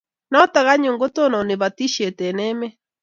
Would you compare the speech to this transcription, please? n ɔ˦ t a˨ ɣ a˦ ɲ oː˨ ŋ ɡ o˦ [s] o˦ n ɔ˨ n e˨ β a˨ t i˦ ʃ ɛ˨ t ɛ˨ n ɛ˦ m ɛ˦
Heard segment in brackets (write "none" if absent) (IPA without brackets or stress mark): t